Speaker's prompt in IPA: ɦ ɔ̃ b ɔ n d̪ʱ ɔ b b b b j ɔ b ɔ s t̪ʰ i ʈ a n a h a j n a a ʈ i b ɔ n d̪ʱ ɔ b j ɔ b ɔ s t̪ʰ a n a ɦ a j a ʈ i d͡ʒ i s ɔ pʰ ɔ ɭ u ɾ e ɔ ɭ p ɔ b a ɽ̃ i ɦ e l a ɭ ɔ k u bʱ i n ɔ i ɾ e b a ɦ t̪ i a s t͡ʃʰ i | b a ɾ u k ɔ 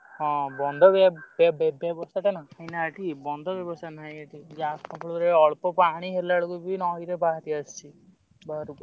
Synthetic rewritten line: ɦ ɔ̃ b ɔ n d̪ʱ ɔ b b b b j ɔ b ɔ s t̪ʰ a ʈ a n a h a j n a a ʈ i b ɔ n d̪ʱ ɔ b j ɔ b ɔ s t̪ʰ a n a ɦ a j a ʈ i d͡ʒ a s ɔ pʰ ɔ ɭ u ɾ e ɔ ɭ p ɔ p a ɽ̃ i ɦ e l a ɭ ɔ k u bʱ i n ɔ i ɾ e b a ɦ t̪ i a s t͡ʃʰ i | b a ɾ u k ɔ

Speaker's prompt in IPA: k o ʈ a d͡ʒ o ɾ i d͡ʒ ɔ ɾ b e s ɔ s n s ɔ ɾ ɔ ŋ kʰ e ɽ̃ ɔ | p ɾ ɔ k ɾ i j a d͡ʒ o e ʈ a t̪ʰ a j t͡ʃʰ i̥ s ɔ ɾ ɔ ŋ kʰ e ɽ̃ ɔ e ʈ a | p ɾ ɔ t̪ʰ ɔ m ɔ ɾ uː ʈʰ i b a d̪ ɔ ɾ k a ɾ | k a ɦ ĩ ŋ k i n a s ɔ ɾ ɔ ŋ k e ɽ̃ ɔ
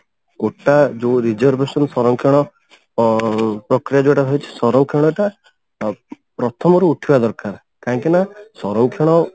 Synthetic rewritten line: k o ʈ a d͡ʒ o ɾ i d͡ʒ ɔ ɾ b e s ɔ n s ɔ ɾ ɔ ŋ kʰ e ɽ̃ ɔ | p ɾ ɔ k ɾ i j a d͡ʒ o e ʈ a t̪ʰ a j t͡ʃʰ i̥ s ɔ ɾ ɔ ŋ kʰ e ɽ̃ ɔ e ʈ a | p ɾ ɔ t̪ʰ ɔ m ɔ ɾ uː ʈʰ i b a d̪ ɔ ɾ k a ɾ | k a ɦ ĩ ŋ k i n a s ɔ ɾ ɔ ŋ kʰ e ɽ̃ ɔ

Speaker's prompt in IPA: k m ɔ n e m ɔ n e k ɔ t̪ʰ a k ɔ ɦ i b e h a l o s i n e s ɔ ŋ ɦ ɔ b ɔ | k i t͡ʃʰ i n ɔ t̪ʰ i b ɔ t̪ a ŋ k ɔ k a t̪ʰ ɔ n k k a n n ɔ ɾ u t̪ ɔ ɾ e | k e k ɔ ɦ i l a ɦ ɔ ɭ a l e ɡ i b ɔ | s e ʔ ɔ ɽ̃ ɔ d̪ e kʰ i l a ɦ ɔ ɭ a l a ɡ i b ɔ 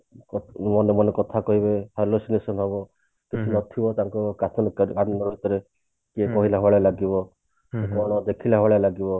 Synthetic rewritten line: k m ɔ n e m ɔ n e k ɔ t̪ʰ a k ɔ ɦ i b e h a l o s i n e s ɔ n ɦ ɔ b ɔ | k i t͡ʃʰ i n ɔ t̪ʰ i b ɔ t̪ a ŋ k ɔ k a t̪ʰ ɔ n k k a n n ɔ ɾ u t̪ ɔ ɾ e | k e k ɔ ɦ i l a ɦ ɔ ɭ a l a ɡ i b ɔ | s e k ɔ ɽ̃ ɔ d̪ e kʰ i l a ɦ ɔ ɭ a l a ɡ i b ɔ

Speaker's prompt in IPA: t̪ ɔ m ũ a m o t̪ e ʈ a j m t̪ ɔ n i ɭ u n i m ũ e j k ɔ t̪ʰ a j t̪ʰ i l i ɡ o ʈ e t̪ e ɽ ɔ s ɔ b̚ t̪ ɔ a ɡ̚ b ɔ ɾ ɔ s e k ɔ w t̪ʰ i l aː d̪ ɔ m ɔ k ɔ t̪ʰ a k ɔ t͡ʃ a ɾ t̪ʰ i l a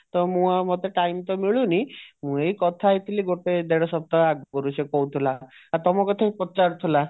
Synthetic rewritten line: t̪ ɔ m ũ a m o t̪ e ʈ a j m t̪ ɔ m i ɭ u n i m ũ e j k ɔ t̪ʰ a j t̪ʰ i l i ɡ o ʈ e d̪ e ɽ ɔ s ɔ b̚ t̪ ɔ a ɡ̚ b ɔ ɾ u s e k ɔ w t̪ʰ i l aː t̪ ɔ m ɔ k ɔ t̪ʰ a p ɔ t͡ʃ a ɾ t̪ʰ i l a

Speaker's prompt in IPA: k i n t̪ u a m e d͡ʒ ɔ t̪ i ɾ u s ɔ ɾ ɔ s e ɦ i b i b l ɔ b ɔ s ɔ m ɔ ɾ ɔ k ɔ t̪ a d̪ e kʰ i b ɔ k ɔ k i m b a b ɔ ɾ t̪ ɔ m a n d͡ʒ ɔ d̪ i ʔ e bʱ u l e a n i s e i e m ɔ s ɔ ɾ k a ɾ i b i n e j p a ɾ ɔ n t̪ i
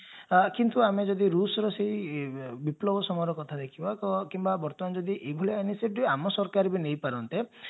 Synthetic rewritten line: k i n t̪ u a m e d͡ʒ ɔ d̪ i ɾ u s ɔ ɾ ɔ s e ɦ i b i p l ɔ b ɔ s ɔ m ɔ ɾ ɔ k ɔ t̪ʰ a d̪ e kʰ i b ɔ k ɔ k i m b a b ɔ ɾ t̪ ɔ m a n d͡ʒ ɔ d̪ i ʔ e bʱ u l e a n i s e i a m ɔ s ɔ ɾ k a ɾ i b i n e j p a ɾ ɔ n t̪ e

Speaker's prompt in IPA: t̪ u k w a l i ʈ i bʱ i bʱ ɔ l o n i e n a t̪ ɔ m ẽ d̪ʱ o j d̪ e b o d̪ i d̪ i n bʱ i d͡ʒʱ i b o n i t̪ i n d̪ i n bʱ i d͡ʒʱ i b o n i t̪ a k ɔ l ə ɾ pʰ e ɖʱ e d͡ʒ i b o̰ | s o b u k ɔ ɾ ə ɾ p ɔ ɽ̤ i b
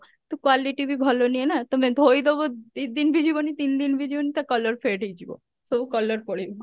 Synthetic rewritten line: t̪ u k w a l i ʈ i bʱ i bʱ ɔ l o n i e n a t̪ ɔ m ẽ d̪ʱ o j d̪ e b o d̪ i d̪ i n bʱ i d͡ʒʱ i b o n i t̪ i n d̪ i n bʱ i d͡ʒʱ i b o n i t̪ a k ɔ l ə ɾ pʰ e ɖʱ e d͡ʒ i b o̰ | s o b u k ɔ l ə ɾ p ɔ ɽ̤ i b

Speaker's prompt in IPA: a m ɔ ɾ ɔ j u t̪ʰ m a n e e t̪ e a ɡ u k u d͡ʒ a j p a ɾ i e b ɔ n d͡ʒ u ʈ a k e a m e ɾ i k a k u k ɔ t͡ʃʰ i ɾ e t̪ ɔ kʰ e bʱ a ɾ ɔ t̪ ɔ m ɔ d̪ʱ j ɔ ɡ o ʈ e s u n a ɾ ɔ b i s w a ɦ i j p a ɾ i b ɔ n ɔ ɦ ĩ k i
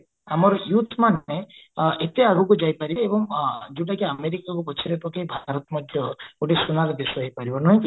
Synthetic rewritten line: a m ɔ ɾ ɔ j u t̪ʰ m a n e e t̪ e a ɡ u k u d͡ʒ a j p a ɾ i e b ɔ ŋ d͡ʒ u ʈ a k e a m e ɾ i k a k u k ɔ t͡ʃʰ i ɾ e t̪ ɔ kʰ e bʱ a ɾ ɔ t̪ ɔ m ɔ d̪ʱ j ɔ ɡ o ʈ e s u n a ɾ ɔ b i s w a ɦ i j p a ɾ i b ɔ n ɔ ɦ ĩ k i

